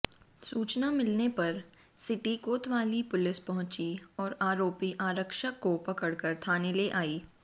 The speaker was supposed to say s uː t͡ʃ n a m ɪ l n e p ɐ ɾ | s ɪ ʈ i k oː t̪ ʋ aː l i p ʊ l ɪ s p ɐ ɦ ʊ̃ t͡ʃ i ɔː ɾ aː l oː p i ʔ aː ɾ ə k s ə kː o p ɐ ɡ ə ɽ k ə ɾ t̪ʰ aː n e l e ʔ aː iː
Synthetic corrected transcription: s uː t͡ʃ n a m ɪ l n e p ɐ ɾ | s ɪ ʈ i k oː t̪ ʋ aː l i p ʊ l ɪ s p ɐ ɦ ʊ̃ t͡ʃ i ɔː ɾ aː ɾ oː p i ʔ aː ɾ ə k ʃ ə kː o p ɐ k ə ɽ k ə ɾ t̪ʰ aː n e l e ʔ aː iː

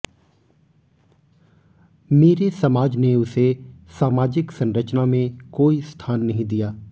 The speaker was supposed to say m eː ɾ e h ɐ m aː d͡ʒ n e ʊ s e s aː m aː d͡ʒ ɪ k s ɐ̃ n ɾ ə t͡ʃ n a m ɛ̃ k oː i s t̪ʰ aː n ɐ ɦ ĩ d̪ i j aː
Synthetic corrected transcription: m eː ɾ e s ɐ m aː d͡ʒ n e ʊ s e s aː m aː d͡ʒ ɪ k s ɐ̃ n ɾ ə t͡ʃ n a m ẽ k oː i s t̪ʰ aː nː ɐ ɦ ĩ d̪ i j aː

